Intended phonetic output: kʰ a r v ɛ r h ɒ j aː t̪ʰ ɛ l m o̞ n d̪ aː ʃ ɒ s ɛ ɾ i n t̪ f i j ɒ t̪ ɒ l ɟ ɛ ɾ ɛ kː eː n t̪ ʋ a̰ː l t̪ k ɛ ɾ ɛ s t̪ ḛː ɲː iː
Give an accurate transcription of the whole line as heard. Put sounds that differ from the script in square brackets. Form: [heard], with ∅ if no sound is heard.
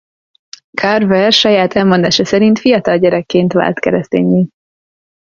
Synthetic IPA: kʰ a r v ɛ r [ʃ] ɒ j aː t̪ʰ ɛ l m o̞ n d̪ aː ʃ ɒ s ɛ ɾ i n t̪ f i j ɒ t̪ ɒ l ɟ ɛ ɾ ɛ kː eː n t̪ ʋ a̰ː l t̪ k ɛ ɾ ɛ s t̪ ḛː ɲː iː